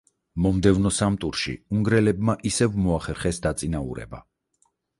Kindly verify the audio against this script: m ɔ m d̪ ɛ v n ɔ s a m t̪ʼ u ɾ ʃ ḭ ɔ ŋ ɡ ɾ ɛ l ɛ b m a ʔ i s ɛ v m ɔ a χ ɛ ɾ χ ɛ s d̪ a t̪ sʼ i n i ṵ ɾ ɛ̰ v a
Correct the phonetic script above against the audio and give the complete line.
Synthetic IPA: m ɔ m d̪ ɛ v n ɔ s a m t̪ʼ u ɾ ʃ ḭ u ŋ ɡ ɾ ɛ l ɛ b m a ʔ i s ɛ v m ɔ a χ ɛ ɾ χ ɛ s d̪ a t̪ sʼ i n a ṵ ɾ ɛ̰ b a